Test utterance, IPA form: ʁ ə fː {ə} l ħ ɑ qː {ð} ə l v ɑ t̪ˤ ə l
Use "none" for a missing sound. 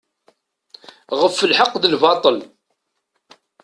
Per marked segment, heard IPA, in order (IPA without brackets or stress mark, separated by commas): ə, ð